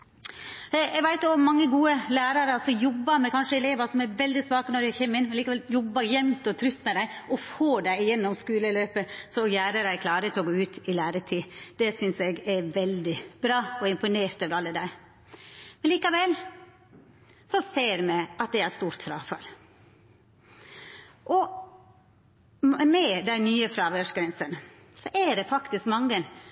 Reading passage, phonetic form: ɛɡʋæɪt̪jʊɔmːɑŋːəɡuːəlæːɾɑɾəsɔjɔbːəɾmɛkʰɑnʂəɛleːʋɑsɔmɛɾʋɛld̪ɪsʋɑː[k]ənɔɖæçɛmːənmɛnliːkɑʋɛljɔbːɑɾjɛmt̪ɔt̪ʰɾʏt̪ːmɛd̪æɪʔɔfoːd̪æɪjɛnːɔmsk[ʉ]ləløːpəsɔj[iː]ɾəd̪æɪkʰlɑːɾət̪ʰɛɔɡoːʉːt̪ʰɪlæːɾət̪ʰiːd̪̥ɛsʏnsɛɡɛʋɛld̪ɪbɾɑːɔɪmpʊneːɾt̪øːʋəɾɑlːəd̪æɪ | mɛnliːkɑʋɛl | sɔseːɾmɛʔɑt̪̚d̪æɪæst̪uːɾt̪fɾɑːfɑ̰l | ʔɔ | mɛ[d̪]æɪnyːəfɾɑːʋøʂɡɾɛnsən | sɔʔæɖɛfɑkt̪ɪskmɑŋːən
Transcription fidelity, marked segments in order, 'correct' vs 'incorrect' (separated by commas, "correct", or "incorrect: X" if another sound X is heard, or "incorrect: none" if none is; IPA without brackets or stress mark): correct, incorrect: ʉː, incorrect: æː, correct